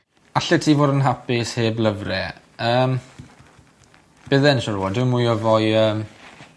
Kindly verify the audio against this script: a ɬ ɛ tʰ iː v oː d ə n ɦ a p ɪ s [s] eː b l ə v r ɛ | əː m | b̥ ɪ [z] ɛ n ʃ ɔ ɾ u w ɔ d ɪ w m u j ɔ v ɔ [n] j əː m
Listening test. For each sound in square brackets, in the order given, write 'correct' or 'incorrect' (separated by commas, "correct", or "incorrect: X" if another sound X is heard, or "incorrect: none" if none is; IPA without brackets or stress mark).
incorrect: h, incorrect: ð, incorrect: none